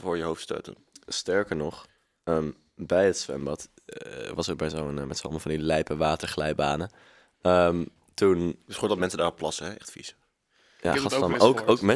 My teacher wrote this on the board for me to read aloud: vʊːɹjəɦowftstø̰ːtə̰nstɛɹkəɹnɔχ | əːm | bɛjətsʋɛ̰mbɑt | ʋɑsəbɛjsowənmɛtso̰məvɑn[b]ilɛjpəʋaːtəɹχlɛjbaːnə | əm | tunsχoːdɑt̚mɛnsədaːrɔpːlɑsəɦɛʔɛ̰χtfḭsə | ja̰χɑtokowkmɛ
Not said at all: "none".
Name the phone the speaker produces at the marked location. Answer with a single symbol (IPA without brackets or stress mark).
d